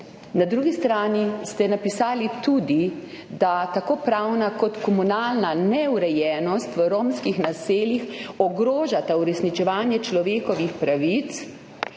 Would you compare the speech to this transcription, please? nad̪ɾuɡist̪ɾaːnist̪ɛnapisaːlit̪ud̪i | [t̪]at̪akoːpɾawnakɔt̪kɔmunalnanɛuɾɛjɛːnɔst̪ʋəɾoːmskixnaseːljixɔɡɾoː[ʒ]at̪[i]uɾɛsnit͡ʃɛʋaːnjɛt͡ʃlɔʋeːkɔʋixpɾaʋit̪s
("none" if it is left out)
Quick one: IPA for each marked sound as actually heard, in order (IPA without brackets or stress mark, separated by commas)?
d̪, ʒ, a